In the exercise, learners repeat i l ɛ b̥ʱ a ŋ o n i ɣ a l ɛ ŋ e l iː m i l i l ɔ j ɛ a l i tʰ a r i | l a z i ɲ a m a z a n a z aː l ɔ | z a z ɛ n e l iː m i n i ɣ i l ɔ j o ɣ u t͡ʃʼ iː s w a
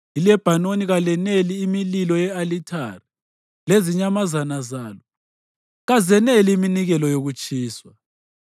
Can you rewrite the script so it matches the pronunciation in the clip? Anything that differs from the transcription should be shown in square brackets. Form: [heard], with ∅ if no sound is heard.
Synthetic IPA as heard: i l ɛ b̥ʱ a [n] o n i ɣ a l ɛ [n] e l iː m i l i l ɔ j ɛ a l i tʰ a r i | l [e] z i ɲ a m a z a n a z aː l ɔ | [ɣ] a z ɛ n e l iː m i n i ɣ [ɛ] l ɔ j o ɣ u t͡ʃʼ iː s w a